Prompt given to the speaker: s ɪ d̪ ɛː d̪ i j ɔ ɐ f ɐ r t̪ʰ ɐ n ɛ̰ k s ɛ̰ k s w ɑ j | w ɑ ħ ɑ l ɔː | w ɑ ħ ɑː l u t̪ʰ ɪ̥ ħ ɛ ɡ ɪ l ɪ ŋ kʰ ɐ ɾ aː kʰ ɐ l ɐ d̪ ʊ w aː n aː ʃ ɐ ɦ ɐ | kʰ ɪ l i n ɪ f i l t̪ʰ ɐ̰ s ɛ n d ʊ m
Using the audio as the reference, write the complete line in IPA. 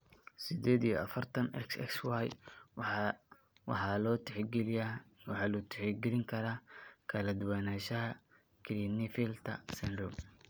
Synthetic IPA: s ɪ d̪ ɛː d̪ i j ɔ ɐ f ɐ r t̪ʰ ɐ n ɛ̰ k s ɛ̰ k s w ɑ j | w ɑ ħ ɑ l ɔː | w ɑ ħ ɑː l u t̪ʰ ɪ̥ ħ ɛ ɡ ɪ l ɪ ŋ kʰ ɐ ɾ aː kʰ ɐ l ɐ d̪ ʊ w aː n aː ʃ ɐ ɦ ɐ | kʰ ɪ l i n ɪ f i l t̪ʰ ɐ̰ s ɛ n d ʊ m

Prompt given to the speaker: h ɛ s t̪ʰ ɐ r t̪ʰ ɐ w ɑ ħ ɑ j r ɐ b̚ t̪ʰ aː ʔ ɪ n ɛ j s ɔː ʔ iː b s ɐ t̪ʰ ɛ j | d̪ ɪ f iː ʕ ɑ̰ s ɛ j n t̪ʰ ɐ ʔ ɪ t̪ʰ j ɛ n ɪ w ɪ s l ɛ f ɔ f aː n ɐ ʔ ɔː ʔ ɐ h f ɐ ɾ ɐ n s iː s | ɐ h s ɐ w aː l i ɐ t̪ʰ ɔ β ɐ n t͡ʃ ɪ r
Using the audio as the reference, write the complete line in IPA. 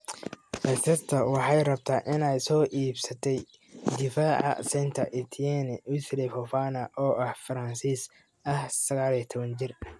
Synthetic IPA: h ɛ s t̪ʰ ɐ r t̪ʰ ɐ w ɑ ħ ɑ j r ɐ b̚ t̪ʰ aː ʔ ɪ n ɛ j s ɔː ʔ iː b s ɐ t̪ʰ ɛ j | d̪ ɪ f aː ʕ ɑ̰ s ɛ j n t̪ʰ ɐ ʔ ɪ t̪ʰ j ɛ n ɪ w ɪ s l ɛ f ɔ f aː n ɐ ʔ ɔː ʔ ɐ h f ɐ ɾ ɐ n s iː s | ɐ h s ɐ ɣ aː l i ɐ t̪ʰ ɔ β ɐ n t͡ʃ ɪ r

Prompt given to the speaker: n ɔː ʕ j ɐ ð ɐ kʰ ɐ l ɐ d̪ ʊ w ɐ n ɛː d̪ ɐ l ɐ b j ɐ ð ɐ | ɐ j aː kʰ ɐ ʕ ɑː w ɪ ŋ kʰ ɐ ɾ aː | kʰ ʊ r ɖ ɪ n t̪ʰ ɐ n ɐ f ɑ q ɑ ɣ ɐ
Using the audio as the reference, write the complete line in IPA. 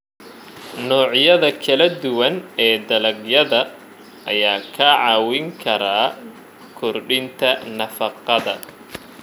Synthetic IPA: n ɔː ʕ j ɐ ð ɐ kʰ ɐ l ɐ d̪ ʊ w ɐ n ɛː d̪ ɐ l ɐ ɡ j ɐ ð ɐ | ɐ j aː kʰ ɐ ʕ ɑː w ɪ ŋ kʰ ɐ ɾ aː | kʰ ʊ r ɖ ɪ n t̪ʰ ɐ n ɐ f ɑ q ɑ ð ɐ

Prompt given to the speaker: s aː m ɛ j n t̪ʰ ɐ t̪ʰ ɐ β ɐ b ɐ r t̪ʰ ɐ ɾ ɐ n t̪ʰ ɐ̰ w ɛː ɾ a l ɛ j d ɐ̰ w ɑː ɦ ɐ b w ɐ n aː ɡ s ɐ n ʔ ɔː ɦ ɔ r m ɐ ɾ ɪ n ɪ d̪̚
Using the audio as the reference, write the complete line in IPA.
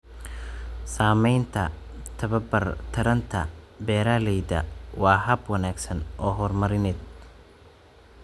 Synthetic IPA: s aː m ɛ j n t̪ʰ ɐ t̪ʰ ɐ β ɐ b ɐ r t̪ʰ ɐ ɾ ɐ n t̪ʰ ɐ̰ b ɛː ɾ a l ɛ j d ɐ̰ w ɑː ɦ ɐ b w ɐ n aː ɡ s ɐ n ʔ ɔː ɦ ɔ r m ɐ ɾ ɪ n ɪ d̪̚

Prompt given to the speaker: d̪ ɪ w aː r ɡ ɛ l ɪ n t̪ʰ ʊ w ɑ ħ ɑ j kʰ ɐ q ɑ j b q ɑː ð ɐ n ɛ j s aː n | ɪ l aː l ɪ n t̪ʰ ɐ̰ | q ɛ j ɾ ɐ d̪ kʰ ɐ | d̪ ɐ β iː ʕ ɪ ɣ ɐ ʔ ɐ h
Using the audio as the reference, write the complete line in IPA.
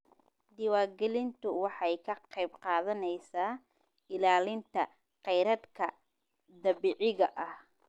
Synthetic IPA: d̪ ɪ w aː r ɡ ɛ l ɪ n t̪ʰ ʊ w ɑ ħ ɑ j kʰ ɐ q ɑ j b q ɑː ð ɐ n ɛ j s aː | ɪ l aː l ɪ n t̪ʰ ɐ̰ | q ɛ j ɾ ɐ d̪ kʰ ɐ | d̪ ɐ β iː ʕ ɪ ɣ ɐ ʔ ɐ h

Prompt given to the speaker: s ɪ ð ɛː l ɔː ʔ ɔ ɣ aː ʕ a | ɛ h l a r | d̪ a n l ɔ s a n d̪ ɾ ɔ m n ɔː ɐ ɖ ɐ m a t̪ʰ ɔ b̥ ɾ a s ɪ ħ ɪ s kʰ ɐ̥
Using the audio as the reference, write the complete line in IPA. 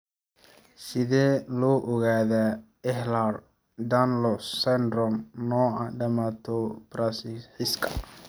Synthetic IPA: s ɪ ð ɛː l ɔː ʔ ɔ ɣ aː ð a | ɛ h l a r | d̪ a n l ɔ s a n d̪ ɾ ɔ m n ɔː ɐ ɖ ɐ m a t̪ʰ ɔ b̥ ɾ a s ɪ ħ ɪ s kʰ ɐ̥

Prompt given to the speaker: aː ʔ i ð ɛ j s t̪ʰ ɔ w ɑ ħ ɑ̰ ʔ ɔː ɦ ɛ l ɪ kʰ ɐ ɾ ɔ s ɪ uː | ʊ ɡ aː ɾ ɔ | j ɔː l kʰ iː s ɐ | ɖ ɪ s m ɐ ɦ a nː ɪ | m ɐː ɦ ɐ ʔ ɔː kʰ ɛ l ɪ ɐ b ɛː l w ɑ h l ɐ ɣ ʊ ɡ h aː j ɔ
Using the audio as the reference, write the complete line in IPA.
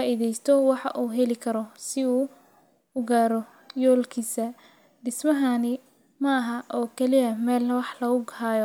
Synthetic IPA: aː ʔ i ð ɛ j s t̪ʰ ɔ w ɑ ħ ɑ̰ ʔ uː ɦ ɛ l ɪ kʰ ɐ ɾ ɔ s ɪ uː | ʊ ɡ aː ɾ ɔ | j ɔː l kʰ iː s ɐ | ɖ ɪ s m ɐ ɦ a n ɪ | m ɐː ɦ ɐ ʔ ɔː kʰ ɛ l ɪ ɐ m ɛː l w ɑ ħ l ɐ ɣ ʊ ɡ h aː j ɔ

